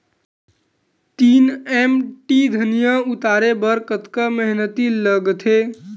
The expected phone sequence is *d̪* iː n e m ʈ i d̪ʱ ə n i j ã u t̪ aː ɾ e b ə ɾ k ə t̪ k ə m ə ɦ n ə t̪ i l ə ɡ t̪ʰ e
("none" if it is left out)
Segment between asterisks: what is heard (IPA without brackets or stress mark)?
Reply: t̪